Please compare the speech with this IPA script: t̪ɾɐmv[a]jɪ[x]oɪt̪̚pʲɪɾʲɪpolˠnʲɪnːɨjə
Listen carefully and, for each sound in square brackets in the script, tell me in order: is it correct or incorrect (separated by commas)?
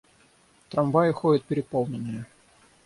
correct, correct